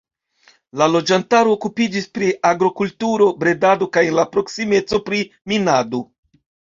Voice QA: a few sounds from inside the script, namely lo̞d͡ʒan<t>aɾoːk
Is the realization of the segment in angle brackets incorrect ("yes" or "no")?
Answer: no